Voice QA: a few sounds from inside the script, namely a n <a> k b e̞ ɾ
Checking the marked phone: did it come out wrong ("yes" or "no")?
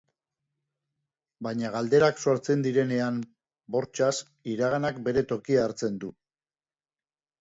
no